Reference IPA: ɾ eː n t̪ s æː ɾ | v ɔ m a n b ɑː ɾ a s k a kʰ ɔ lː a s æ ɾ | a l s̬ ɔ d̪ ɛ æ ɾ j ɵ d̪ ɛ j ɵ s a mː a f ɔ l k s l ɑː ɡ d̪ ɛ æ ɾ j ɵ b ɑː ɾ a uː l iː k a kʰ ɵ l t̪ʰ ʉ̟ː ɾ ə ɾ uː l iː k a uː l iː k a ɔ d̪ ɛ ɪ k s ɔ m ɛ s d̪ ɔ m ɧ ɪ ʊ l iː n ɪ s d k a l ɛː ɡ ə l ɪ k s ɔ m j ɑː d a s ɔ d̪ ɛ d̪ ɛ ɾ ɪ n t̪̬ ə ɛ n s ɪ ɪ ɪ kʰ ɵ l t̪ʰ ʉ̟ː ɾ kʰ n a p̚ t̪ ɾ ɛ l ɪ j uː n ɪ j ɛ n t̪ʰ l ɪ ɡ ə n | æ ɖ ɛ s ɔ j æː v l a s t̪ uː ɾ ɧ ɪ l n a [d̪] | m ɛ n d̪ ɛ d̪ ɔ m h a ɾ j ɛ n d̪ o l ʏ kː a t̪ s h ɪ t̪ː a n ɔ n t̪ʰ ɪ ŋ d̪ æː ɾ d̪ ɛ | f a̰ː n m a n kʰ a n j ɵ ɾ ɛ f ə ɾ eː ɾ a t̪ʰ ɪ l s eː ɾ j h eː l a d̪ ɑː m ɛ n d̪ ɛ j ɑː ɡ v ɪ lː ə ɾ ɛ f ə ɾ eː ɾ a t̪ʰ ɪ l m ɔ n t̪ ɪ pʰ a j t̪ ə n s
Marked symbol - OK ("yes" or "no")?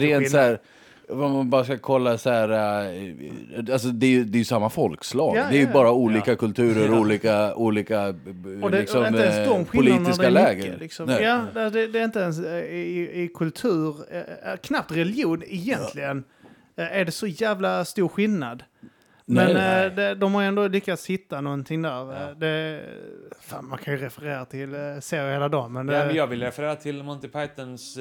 yes